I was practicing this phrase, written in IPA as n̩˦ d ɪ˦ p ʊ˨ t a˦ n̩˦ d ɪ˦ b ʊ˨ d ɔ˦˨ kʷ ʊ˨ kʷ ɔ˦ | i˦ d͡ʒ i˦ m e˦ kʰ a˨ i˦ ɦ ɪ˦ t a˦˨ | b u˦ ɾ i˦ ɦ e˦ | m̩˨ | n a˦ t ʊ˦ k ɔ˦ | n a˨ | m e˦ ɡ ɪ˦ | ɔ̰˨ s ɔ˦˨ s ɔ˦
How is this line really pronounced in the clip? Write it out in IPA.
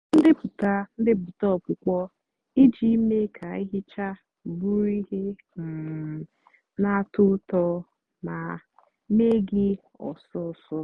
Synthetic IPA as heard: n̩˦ d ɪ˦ p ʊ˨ t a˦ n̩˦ d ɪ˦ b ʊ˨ t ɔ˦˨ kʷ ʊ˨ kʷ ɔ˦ | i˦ d͡ʒ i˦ m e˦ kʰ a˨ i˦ ɦ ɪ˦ t͡ʃ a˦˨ | b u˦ ɾ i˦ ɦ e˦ | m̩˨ | n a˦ t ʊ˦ t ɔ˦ | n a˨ | m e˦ ɡ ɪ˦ | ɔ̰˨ s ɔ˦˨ s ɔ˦